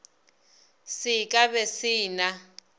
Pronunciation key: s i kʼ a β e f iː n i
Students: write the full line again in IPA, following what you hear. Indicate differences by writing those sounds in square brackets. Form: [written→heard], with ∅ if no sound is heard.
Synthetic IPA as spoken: s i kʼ a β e [f→s] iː n [i→a]